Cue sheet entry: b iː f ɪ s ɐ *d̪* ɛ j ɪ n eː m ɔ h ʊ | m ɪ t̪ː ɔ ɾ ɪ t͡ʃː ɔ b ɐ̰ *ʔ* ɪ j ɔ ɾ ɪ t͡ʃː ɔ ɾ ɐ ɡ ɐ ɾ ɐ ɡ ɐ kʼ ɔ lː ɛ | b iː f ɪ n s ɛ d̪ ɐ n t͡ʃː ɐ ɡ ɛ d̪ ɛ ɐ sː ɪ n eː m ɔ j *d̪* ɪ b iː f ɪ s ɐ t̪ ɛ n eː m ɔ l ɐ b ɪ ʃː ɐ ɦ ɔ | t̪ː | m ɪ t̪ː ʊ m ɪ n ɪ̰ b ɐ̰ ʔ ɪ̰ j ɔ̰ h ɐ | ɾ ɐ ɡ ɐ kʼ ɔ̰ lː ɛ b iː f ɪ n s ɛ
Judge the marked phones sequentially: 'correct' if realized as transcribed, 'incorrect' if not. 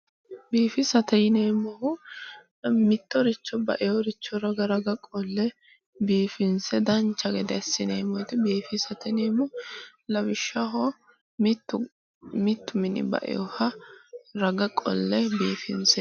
incorrect, correct, incorrect

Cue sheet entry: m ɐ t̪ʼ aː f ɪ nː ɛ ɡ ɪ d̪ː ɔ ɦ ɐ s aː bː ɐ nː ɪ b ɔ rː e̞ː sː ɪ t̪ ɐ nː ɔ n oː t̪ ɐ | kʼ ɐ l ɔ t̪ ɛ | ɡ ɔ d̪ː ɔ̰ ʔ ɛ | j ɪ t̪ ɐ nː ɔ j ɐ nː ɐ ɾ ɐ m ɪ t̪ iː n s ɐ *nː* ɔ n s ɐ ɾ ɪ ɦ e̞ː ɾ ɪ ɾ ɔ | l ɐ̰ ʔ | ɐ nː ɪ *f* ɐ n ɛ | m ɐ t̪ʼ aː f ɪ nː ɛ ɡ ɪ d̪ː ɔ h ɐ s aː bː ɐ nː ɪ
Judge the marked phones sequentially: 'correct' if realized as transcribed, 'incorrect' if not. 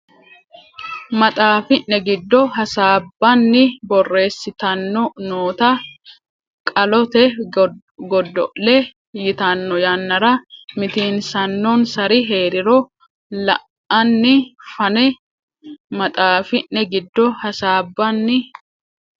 correct, correct

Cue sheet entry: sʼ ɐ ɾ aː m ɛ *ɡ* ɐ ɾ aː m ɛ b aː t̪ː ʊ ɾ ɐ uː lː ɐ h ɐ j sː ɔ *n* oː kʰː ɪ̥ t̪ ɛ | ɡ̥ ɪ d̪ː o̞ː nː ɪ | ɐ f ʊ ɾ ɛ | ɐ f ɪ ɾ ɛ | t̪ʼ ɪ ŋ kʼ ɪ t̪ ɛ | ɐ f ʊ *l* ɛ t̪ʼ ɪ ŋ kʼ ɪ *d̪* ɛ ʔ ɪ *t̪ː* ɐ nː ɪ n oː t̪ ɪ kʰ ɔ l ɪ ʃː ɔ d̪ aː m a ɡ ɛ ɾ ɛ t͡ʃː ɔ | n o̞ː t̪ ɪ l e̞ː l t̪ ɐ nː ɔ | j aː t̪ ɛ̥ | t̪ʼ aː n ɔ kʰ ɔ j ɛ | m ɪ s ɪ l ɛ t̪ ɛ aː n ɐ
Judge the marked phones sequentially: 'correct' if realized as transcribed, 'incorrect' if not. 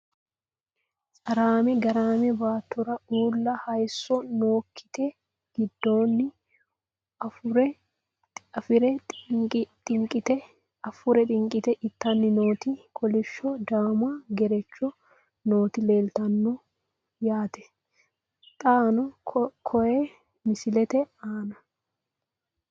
correct, correct, incorrect, incorrect, correct

